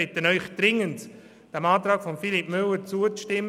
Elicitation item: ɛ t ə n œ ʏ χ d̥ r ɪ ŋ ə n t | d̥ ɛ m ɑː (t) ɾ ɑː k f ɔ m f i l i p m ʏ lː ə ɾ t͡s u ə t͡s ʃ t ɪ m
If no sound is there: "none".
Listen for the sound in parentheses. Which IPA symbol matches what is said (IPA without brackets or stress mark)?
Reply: t